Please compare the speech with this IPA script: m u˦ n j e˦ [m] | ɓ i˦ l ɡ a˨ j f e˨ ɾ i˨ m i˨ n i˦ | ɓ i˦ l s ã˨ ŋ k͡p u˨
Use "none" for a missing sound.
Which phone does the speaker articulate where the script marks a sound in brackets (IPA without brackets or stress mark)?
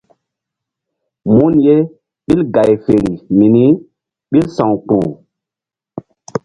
none